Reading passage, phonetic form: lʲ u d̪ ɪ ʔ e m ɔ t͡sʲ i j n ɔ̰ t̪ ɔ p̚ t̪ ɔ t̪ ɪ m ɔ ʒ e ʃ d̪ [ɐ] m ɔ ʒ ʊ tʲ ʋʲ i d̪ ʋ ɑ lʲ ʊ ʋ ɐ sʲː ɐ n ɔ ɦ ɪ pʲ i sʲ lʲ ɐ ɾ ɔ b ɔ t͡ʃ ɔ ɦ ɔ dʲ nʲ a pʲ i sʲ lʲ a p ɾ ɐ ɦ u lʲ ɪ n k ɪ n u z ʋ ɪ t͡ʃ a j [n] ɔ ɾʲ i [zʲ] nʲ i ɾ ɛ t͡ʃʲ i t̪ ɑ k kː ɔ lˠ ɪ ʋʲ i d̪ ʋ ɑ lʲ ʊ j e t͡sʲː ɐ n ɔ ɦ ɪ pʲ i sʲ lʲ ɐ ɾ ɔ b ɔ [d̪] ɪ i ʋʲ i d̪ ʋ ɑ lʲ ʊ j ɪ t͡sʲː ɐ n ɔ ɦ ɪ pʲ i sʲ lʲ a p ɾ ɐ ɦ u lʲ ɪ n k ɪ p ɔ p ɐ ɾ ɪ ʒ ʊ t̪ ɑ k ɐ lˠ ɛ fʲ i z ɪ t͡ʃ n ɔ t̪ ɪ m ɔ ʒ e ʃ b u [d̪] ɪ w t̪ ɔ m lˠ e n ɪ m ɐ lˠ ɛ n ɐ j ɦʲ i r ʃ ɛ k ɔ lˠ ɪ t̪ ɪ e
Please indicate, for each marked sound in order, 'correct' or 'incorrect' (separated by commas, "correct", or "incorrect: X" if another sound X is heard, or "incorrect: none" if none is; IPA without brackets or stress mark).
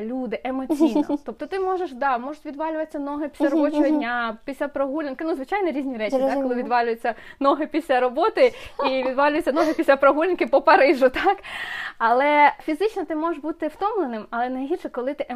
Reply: incorrect: ɑ, correct, correct, incorrect: t̪, incorrect: t̪